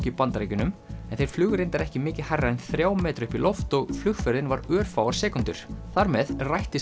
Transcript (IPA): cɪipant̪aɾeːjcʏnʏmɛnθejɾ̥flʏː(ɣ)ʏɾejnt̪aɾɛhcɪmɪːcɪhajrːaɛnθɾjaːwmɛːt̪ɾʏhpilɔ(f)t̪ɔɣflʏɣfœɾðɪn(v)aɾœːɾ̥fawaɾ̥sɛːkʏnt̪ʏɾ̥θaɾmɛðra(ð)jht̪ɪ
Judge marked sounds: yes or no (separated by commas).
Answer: yes, yes, yes, no